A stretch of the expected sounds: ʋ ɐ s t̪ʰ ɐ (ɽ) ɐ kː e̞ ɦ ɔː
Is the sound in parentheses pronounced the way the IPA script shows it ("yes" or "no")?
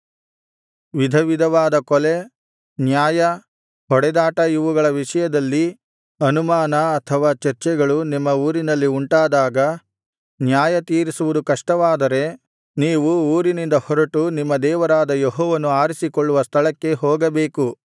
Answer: no